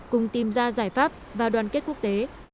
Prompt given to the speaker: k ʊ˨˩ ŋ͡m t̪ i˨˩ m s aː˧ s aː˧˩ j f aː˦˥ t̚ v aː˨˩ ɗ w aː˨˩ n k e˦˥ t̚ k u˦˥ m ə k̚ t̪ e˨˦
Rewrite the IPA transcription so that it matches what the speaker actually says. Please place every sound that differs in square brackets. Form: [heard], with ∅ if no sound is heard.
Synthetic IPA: k ʊ˨˩ ŋ͡m t̪ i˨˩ m [z] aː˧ [z] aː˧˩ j f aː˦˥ [p̚] v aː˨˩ ɗ w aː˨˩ n k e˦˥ t̚ k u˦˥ [∅] ə k̚ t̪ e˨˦